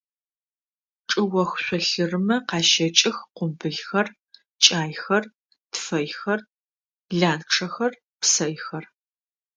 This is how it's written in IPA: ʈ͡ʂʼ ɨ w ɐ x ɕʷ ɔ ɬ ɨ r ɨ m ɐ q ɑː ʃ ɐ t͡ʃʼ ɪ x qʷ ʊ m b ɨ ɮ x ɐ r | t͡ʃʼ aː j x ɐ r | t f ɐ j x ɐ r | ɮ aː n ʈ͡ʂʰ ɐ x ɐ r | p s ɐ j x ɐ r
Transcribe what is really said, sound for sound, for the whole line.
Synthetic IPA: ʈ͡ʂʼ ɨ w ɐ x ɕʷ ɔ ɬ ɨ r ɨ m ɐ q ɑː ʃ ɐ t͡ʃʼ ɪ x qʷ ʊ m b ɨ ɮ x ɐ r | t͡ʃʼ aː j x ɐ r | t f ɐ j x ɐ r | ɮ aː n ʈ͡ʂʰ ɐ x ɐ r | p s ɐ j x ɐ r